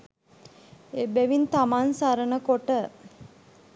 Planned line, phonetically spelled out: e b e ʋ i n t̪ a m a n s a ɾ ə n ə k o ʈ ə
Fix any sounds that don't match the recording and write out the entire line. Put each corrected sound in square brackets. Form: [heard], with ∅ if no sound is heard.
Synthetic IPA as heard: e b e ʋ i n t̪ a m a n s a ɾ ə n ə k o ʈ ə